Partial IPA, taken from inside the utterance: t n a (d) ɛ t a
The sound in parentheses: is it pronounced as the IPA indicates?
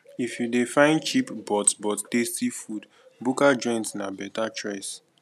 no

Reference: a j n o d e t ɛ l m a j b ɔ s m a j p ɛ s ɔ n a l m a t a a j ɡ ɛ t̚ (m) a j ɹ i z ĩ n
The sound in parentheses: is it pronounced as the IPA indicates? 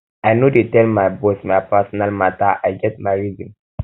yes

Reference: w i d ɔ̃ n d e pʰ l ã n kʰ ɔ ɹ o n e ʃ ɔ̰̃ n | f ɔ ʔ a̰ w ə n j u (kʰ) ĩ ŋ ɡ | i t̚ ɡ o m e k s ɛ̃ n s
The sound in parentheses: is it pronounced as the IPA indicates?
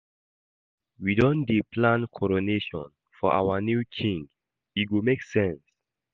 yes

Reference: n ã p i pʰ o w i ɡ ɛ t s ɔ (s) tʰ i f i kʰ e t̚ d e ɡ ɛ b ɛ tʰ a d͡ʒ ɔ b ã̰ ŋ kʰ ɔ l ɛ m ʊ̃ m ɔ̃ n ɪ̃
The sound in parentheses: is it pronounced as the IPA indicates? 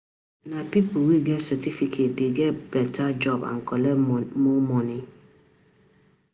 no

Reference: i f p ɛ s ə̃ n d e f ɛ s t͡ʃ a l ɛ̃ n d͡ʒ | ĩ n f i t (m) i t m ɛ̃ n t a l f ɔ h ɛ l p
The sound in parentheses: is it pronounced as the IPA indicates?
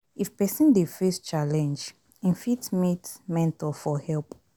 yes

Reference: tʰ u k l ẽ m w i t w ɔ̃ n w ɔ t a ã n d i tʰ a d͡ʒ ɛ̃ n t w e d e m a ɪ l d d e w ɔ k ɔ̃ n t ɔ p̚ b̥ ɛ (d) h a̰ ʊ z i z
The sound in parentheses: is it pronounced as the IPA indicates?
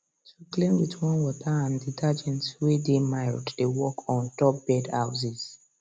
yes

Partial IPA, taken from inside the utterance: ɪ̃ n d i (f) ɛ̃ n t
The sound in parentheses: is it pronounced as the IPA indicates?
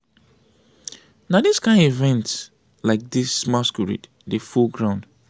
no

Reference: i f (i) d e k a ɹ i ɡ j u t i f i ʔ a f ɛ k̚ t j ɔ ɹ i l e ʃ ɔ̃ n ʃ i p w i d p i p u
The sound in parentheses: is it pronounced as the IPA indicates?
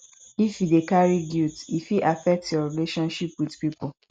yes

